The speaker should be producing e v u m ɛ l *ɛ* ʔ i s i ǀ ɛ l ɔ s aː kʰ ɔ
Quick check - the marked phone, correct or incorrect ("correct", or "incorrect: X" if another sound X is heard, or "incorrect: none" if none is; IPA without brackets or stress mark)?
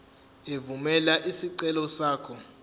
incorrect: a